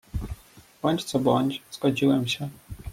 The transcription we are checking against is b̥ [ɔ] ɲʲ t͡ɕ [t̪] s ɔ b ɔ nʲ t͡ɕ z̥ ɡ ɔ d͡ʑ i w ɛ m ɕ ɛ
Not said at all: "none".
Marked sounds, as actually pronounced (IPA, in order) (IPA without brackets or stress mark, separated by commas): ɔ, t̪